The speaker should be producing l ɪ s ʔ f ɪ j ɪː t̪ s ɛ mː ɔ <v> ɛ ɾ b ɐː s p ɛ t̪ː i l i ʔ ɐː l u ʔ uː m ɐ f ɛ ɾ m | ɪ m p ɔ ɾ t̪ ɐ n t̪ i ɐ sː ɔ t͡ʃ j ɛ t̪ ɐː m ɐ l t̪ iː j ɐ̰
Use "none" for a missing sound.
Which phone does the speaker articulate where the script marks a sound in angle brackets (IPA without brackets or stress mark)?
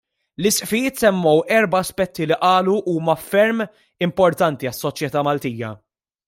w